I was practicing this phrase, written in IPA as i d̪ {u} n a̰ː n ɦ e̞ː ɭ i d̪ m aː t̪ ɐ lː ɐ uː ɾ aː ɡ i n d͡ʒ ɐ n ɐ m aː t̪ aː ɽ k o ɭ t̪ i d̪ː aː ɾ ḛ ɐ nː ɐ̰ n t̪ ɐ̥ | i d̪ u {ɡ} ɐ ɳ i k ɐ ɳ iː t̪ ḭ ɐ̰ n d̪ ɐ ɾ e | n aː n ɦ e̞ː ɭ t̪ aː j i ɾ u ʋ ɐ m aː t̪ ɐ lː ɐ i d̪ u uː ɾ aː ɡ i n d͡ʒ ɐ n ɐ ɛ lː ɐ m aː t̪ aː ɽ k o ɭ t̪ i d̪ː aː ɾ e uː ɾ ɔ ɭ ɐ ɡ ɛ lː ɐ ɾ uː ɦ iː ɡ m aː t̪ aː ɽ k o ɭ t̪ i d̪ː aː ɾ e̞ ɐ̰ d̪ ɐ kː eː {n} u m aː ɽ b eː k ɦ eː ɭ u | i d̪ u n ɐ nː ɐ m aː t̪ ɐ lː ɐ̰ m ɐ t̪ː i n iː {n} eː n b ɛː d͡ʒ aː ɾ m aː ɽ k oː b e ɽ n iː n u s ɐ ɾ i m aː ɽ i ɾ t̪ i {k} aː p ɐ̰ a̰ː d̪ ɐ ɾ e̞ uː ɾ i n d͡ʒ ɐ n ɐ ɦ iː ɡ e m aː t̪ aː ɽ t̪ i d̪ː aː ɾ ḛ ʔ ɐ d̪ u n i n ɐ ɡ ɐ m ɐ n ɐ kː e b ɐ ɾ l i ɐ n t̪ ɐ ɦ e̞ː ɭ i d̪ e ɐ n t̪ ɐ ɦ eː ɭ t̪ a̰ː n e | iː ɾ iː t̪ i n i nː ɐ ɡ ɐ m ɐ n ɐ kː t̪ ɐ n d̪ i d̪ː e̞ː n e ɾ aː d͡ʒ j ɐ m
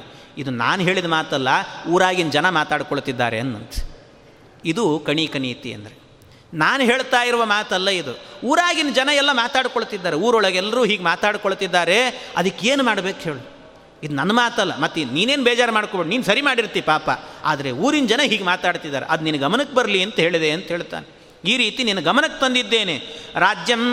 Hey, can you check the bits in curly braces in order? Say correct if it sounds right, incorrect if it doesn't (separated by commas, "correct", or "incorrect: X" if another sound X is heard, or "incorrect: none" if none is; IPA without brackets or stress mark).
correct, incorrect: k, correct, correct, incorrect: p